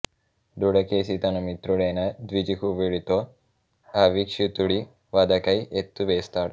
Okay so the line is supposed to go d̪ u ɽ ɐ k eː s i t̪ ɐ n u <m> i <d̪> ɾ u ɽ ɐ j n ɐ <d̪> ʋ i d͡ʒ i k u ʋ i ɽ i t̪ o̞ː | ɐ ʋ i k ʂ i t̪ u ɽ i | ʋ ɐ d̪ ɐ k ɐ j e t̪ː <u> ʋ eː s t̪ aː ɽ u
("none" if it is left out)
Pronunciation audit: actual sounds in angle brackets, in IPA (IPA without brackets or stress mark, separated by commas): m, t̪, d̪, u